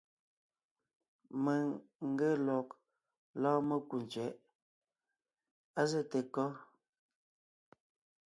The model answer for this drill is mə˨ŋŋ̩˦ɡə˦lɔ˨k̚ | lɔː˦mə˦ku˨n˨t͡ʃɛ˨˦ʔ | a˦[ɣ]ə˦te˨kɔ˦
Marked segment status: incorrect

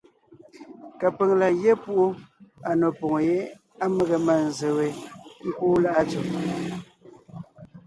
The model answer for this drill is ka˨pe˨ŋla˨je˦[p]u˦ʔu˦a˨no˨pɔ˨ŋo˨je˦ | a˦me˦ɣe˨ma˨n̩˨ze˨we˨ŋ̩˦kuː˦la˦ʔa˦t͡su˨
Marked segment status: correct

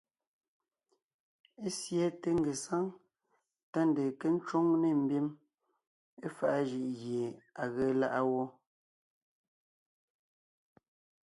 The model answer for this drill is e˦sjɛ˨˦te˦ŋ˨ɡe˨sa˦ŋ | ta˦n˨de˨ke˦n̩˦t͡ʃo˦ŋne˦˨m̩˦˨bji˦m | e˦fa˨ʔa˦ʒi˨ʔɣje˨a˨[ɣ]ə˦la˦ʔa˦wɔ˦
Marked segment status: correct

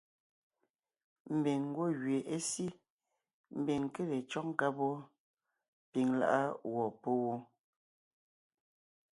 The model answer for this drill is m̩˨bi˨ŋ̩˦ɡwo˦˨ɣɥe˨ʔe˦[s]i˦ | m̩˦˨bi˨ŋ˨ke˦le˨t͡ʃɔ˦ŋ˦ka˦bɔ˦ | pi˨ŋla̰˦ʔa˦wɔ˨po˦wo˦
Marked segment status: correct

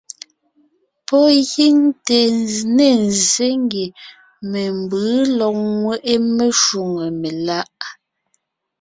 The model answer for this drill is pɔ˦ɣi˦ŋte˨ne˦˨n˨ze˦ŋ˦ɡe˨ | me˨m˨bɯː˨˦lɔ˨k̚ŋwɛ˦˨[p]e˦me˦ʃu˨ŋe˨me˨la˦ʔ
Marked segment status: incorrect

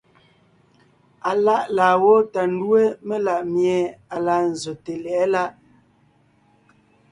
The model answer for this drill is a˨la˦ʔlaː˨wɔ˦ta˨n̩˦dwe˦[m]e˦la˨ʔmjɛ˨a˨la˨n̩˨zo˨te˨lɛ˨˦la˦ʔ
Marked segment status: correct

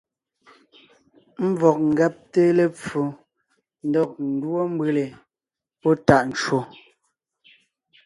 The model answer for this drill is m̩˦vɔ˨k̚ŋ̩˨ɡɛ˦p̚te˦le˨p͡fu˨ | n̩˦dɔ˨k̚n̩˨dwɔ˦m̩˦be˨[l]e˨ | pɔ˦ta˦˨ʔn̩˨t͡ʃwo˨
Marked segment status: correct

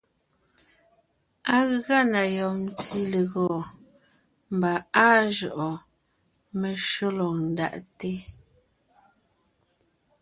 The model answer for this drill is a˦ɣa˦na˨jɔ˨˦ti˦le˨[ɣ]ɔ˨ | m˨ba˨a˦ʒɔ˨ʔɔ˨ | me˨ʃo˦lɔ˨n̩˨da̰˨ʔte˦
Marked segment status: correct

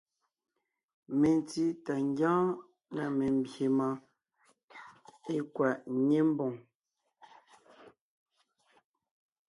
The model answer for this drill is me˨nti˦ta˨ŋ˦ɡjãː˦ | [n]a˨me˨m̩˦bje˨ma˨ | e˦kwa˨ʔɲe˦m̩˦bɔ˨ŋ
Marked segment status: correct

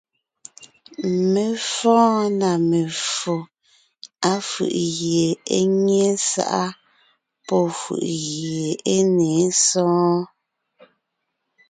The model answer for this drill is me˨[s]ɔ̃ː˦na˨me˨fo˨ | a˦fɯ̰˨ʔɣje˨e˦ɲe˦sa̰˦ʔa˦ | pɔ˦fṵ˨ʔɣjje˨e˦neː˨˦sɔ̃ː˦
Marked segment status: incorrect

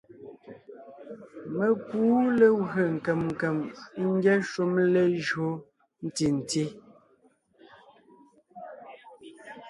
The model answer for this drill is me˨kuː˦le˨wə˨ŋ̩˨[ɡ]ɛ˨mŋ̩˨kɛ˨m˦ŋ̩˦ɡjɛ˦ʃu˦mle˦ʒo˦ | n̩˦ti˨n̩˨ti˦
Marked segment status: incorrect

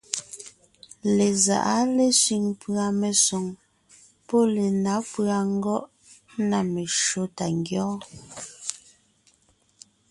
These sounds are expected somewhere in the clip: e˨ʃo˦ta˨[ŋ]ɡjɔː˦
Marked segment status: correct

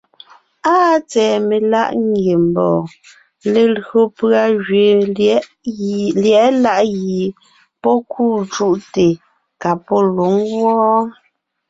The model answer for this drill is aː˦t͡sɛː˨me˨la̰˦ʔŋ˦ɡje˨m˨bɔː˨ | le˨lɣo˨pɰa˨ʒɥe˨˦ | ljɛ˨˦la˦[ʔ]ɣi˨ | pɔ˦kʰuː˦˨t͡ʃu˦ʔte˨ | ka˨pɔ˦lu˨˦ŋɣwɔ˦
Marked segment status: correct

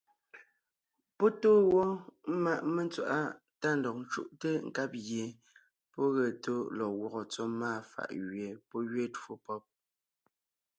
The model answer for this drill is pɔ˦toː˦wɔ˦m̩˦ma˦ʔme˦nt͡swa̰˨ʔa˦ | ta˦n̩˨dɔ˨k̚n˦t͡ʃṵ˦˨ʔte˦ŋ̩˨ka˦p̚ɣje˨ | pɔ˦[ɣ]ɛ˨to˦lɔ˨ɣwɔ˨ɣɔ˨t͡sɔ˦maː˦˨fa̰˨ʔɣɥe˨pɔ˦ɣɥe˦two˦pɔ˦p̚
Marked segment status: correct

